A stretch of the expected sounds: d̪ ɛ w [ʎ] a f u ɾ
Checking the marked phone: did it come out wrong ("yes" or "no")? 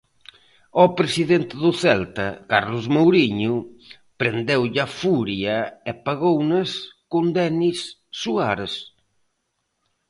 no